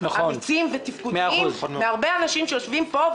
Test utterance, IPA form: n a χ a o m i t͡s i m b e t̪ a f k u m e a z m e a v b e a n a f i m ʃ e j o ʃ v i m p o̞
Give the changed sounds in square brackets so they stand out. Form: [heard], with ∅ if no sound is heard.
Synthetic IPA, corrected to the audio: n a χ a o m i t͡s i m [v] e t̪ [i] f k u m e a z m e a [ʁ] b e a n a [ʃ] i m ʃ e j o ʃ v i m p o̞